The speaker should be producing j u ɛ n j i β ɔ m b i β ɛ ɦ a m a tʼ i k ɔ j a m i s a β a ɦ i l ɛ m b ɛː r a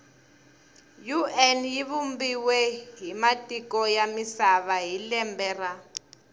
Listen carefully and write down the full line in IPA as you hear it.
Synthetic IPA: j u ɛ n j i β u m b i w ɛ ɦ i m a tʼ i k ɔ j a m i s a β a ɦ i l ɛ m b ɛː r a